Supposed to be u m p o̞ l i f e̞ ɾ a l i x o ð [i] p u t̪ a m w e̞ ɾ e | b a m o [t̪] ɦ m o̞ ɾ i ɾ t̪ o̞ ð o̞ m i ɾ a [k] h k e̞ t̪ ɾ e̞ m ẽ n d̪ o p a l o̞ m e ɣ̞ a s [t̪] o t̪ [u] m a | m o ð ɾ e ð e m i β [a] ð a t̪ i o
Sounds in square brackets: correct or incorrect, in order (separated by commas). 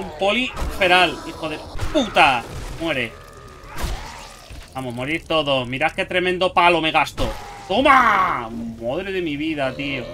incorrect, incorrect, incorrect, correct, incorrect, incorrect